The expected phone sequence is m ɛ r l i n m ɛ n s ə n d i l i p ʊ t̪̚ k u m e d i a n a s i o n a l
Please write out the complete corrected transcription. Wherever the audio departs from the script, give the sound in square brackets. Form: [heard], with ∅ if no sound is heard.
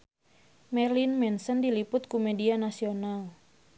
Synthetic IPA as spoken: m ɛ r l i n m ɛ n s ə n d i l i p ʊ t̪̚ k u m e d i a n a s i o n a l